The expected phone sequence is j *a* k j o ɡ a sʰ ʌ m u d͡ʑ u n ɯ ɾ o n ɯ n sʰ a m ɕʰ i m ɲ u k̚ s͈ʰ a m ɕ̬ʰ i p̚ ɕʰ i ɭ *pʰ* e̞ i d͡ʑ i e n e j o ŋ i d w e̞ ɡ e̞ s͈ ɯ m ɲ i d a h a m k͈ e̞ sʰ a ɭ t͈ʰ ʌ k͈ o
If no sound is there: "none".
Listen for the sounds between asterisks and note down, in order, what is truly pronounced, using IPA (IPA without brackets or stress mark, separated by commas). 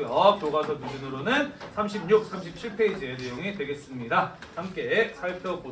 ʌ, pʰ